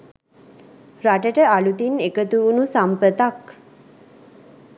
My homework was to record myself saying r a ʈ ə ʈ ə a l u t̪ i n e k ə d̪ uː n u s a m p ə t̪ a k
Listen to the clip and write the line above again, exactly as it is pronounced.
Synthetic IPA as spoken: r a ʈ ə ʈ ə a l u t̪ i n e k ə t̪ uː n u s a m p ə t̪ a k

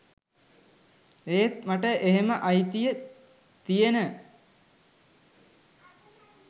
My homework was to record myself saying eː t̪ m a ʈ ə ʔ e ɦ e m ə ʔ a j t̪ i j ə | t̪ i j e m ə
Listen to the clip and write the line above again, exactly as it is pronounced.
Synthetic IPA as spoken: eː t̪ m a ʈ ə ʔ e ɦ e m ə ʔ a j t̪ i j ə | t̪ i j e n ə

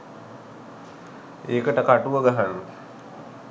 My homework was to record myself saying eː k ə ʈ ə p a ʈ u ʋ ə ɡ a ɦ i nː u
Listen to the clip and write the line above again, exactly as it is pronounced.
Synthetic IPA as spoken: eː k ə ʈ ə k a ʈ u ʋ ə ɡ a ɦ a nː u

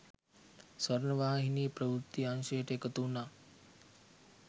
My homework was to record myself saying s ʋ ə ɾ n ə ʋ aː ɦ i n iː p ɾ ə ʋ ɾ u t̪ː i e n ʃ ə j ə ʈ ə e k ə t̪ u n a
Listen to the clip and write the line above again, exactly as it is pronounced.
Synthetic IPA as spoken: s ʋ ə ɾ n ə ʋ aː ɦ i n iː p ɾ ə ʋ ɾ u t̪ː i a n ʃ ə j ə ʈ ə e k ə t̪ u n a

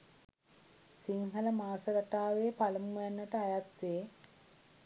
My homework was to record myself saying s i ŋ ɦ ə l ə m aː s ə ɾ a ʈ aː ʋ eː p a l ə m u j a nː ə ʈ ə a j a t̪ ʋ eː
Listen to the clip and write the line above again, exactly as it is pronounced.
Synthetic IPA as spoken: s i ŋ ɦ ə l ə m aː s ə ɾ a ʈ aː ʋ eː p a l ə m u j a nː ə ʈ ə a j a t̪ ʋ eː

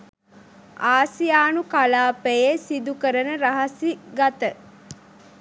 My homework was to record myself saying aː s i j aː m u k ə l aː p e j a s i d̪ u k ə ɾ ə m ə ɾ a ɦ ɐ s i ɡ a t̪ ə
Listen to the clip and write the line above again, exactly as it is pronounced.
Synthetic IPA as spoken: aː s i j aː n u k a l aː p e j e s i d̪ u k ə ɾ ə n ə ɾ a ɦ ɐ s i ɡ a t̪ ə

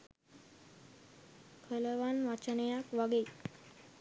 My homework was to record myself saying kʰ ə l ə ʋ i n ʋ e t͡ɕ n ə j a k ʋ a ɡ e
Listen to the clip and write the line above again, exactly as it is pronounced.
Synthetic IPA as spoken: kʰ ə l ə ʋ a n ʋ a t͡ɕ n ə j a k ʋ a ɡ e

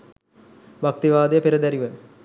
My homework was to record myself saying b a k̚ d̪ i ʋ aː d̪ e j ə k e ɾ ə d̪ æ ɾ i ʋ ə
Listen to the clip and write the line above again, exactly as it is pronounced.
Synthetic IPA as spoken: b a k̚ t̪ i ʋ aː d̪ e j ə p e ɾ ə d̪ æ ɾ i ʋ ə

